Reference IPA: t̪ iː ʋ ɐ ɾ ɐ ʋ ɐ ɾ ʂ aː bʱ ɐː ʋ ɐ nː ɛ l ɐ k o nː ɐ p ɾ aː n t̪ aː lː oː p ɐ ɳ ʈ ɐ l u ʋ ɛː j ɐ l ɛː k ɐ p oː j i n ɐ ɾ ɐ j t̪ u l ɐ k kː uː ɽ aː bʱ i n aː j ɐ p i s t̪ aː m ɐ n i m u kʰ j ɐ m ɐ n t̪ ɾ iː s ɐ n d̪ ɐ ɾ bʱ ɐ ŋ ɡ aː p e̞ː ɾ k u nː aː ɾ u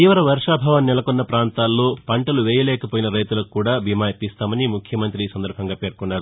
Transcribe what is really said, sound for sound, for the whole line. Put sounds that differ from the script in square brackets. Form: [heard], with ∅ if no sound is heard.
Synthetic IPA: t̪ iː ʋ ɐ ɾ ɐ ʋ ɐ ɾ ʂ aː bʱ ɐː ʋ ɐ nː ɛ l ɐ k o nː ɐ p ɾ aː n t̪ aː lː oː p ɐ ɳ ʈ ɐ l u ʋ ɛː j ɐ l ɛː k ɐ p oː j i n ɐ ɾ ɐ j t̪ u l ɐ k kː uː ɽ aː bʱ i [m] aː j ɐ p i s t̪ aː m ɐ n i m u kʰ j ɐ m ɐ n t̪ ɾ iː s ɐ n d̪ ɐ ɾ bʱ ɐ ŋ ɡ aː p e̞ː ɾ k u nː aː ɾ u